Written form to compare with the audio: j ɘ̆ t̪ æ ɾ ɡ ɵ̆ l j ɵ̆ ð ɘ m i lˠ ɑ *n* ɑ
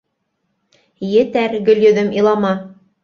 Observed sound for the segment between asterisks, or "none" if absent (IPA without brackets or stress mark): m